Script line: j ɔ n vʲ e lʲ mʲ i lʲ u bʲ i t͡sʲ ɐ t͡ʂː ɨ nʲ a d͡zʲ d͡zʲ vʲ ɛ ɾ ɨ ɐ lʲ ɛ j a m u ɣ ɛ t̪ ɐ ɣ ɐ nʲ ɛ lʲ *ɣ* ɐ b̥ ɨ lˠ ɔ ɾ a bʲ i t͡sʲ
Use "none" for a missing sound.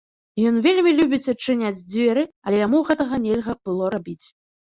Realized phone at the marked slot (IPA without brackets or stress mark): ɣ